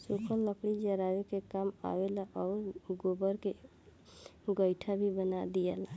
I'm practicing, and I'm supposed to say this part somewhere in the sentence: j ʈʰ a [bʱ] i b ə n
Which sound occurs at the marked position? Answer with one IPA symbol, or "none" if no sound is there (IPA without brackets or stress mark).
bʱ